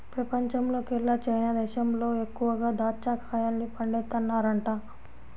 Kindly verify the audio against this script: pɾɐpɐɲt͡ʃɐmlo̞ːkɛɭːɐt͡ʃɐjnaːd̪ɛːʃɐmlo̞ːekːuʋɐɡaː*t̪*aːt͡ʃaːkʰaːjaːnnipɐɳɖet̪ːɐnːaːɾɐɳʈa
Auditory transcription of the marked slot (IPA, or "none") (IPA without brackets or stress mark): d̪